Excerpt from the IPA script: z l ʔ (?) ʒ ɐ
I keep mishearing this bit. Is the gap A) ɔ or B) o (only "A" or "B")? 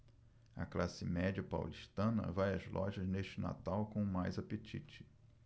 A